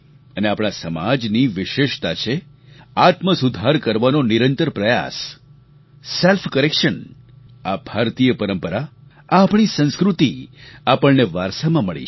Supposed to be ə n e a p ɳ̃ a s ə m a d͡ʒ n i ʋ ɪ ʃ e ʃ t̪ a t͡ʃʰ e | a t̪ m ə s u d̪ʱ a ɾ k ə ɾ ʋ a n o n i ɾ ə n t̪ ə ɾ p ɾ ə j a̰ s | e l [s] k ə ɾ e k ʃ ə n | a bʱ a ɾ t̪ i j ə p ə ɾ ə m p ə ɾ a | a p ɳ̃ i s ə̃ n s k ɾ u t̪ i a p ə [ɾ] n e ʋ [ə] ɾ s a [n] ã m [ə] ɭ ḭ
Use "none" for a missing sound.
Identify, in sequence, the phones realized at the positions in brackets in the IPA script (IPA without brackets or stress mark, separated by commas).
f, ɭ, a, m, ə